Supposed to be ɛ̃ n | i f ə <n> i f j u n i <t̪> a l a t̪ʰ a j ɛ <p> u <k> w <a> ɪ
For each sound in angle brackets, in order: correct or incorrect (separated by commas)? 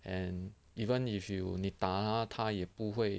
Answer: correct, correct, correct, incorrect, incorrect